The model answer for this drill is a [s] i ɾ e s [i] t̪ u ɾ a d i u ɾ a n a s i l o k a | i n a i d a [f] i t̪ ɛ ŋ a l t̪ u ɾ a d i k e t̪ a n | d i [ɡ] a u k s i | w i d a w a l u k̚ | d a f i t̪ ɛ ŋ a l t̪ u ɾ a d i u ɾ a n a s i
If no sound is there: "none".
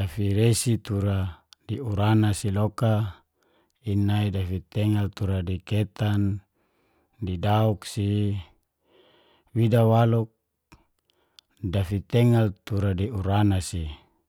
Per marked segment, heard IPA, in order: f, i, f, d

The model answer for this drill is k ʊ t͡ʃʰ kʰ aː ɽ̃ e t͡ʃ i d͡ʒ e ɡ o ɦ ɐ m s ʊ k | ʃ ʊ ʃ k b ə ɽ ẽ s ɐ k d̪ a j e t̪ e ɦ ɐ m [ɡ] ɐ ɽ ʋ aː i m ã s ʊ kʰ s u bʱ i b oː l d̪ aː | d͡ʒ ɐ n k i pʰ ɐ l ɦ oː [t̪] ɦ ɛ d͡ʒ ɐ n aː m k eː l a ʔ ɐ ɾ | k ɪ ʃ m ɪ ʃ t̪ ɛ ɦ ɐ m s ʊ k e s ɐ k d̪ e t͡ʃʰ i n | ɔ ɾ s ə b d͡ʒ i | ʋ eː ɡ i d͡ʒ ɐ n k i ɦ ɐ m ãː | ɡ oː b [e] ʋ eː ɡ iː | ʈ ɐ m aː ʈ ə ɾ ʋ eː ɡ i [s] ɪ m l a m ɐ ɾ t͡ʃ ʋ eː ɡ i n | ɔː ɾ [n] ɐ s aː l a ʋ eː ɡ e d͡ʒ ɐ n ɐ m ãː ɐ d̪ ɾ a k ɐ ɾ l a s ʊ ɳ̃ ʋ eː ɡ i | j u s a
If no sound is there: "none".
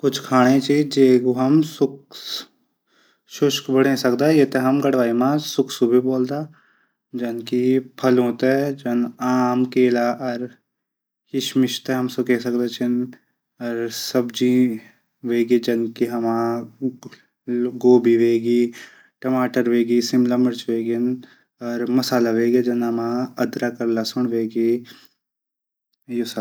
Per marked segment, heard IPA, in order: ɡ, t̪, i, s, m

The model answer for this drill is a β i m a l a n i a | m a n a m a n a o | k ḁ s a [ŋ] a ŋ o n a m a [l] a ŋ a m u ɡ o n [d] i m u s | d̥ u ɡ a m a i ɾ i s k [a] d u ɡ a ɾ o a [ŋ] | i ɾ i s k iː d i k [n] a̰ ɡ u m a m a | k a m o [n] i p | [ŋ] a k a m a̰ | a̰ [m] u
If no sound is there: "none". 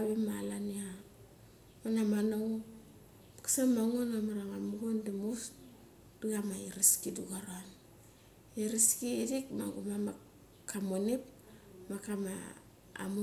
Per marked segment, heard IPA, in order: m, ɾ, d, i, n, m, n, m, m

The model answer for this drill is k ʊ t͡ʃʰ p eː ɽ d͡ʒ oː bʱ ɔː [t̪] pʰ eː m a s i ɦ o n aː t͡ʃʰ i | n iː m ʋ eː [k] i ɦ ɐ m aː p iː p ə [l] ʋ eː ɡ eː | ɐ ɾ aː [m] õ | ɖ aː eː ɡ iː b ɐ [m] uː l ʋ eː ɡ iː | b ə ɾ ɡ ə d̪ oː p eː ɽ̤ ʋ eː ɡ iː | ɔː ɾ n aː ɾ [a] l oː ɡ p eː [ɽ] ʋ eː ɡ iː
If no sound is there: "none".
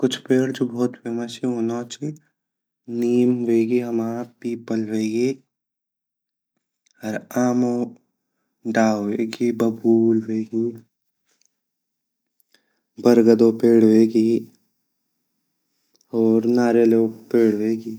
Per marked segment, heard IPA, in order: t̪, ɡ, l, m, b, e, ɽ

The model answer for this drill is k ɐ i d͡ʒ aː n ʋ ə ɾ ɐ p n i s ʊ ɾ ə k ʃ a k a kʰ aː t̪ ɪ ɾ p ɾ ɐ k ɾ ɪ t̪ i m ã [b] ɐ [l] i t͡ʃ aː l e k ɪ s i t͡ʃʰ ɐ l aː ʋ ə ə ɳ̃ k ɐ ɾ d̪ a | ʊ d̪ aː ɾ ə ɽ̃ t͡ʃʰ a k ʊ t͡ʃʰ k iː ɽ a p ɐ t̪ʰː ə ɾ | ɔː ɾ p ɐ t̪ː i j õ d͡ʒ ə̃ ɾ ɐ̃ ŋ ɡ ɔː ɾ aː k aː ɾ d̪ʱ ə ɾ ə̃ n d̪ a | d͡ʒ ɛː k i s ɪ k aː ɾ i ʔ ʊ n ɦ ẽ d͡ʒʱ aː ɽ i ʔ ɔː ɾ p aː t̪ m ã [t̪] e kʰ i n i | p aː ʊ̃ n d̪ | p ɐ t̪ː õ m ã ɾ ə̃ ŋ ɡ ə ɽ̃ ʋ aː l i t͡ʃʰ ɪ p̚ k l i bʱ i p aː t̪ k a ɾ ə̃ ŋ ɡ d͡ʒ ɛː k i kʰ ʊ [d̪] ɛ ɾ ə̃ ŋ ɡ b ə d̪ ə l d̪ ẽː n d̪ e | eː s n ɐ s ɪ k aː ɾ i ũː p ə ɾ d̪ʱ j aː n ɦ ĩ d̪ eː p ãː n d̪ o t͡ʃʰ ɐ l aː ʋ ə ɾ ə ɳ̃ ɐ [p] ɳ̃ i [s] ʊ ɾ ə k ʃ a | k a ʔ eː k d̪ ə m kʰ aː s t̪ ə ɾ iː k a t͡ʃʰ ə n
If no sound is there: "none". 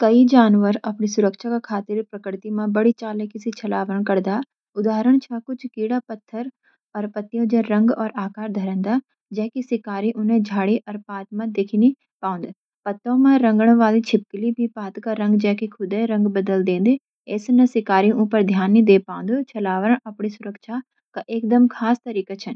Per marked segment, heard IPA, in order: b, ɽ, d̪, d̪, p, s

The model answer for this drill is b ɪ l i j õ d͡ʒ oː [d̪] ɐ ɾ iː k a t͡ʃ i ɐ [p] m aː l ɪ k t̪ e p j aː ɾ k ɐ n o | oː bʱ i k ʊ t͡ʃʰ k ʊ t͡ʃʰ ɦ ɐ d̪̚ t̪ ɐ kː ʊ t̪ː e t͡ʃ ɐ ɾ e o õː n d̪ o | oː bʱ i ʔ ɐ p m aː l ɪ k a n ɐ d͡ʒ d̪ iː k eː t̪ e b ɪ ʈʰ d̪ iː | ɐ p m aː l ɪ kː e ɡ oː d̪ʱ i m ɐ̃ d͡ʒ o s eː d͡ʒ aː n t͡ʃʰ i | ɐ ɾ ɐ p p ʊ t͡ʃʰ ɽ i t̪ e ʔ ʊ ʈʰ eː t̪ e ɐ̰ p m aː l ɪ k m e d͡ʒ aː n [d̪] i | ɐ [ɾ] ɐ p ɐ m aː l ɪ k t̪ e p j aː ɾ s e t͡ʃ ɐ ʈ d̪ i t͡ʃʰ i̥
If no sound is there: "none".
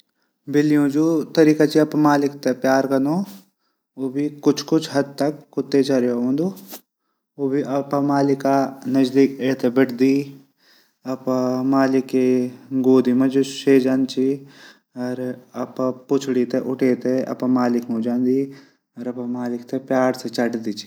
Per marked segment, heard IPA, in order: t̪, p, d̪, ɾ

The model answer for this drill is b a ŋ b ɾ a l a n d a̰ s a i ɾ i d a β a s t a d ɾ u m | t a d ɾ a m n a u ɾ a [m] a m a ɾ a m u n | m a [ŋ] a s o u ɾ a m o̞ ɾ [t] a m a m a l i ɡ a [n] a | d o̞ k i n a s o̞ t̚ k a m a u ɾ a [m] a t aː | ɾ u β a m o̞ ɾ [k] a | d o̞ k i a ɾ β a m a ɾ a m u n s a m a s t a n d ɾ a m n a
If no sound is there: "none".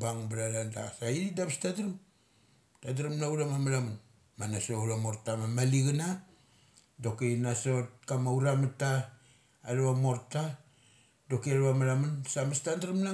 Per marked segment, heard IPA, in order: m, n, t, n, m, t

